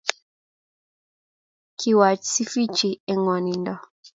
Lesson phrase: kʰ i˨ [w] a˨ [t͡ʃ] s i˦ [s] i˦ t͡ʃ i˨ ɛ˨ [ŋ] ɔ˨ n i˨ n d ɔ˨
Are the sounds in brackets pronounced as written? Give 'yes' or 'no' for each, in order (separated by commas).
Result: yes, yes, no, yes